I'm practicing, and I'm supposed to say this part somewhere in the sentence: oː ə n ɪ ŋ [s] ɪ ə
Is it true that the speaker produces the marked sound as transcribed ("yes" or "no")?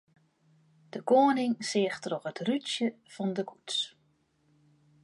yes